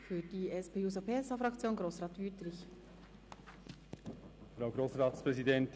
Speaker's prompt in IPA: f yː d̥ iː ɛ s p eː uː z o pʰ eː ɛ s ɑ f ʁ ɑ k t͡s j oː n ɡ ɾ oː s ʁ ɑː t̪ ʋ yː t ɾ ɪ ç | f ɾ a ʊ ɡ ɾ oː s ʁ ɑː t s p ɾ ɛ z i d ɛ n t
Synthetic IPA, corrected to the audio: f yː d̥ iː ɛ s p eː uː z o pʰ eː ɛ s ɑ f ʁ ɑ k t͡s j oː n ɡ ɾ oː s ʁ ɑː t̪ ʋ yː t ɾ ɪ ç | f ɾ a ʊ ɡ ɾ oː s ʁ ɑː t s p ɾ ɛ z i d ɛ n t